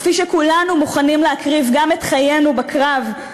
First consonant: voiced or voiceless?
voiceless